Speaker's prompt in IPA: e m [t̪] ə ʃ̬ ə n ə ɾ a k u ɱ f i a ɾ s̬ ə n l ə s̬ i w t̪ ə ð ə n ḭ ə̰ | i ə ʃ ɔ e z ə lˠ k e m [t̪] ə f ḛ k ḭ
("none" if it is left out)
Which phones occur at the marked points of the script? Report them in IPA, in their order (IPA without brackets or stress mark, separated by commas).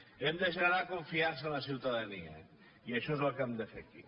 d̪, d̪